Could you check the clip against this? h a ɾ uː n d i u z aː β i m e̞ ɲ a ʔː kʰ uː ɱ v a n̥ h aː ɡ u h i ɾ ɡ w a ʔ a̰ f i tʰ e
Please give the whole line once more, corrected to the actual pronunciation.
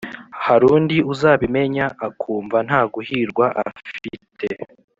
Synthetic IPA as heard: h a ɾ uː n d i u z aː β i m e̞ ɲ a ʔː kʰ uː ɱ v a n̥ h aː ɡ u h i ɾ ɡ w a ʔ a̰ f i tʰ e